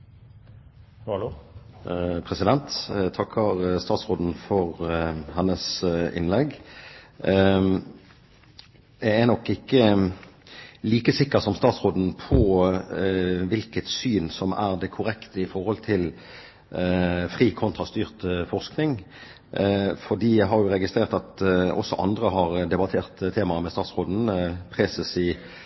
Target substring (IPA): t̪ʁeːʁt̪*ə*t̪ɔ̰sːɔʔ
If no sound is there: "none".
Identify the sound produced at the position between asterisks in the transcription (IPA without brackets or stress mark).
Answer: ɑ